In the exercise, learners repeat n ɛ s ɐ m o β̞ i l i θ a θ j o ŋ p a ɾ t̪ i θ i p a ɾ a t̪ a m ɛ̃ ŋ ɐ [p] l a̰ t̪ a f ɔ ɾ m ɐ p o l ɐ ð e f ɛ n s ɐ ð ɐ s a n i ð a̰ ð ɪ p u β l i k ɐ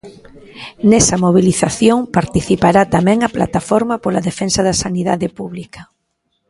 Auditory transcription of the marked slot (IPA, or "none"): p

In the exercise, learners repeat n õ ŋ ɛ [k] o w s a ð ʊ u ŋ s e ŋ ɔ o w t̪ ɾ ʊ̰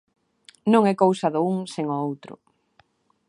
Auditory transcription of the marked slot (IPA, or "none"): k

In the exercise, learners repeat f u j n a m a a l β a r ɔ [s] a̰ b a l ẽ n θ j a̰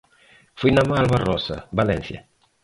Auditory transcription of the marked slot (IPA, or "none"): s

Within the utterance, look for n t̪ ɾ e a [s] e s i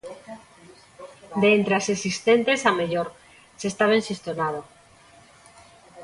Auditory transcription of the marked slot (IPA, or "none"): s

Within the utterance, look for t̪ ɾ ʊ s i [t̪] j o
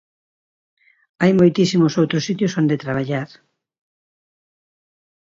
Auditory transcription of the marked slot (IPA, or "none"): t̪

